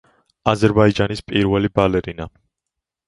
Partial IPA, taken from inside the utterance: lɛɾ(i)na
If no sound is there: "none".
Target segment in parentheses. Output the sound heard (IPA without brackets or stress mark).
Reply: i